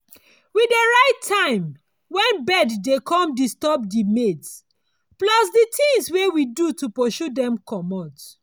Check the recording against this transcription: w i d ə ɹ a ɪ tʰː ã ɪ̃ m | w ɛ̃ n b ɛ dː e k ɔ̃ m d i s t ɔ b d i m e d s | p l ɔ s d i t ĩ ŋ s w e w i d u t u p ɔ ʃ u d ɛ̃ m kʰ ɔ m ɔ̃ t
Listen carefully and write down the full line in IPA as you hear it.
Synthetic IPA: w i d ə ɹ a ɪ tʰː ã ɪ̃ m | w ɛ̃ n b ɛ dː e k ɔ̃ m d i s t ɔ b d i m e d s | p l ɔ s d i t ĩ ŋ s w e w i d u t u p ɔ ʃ u d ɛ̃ m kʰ ɔ m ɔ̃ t